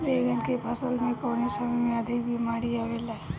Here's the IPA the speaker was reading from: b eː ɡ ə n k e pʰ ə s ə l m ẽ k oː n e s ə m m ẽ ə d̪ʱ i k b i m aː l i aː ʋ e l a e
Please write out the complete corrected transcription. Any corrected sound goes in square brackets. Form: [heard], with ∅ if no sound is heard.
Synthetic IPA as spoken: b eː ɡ ə n k e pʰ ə s ə l m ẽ k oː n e s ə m m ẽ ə d̪ʱ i k b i m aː [ɾ] i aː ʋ e l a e